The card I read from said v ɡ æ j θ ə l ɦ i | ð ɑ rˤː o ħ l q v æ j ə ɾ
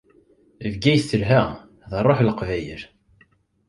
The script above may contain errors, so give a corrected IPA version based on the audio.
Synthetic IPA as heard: v ɡ æ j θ ə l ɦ æ | ð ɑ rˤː o ħ l q v æ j ə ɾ